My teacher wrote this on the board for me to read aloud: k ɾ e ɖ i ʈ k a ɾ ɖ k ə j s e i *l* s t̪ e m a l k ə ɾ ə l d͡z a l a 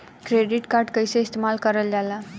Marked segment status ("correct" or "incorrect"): incorrect